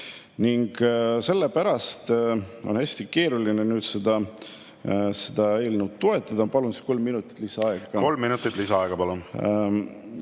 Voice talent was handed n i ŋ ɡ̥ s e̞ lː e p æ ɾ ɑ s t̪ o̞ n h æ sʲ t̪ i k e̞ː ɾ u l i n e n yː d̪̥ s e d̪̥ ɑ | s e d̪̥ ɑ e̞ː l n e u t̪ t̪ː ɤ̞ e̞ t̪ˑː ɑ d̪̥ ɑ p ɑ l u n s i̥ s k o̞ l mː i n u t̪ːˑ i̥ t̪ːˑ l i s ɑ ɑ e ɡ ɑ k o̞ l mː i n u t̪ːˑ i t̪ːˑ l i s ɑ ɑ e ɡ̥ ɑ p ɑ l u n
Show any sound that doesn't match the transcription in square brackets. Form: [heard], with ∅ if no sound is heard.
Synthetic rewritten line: n i ŋ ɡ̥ s e̞ lː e p æ ɾ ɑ s t̪ o̞ n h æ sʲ t̪ i k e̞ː ɾ u l i n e n yː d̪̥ s e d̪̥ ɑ | s e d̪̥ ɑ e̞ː l n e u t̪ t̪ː [o̞] e̞ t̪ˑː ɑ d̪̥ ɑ p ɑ l u n s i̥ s k o̞ l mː i n u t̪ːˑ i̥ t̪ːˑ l i s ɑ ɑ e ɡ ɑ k o̞ l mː i n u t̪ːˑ i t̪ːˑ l i s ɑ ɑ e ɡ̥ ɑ p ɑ l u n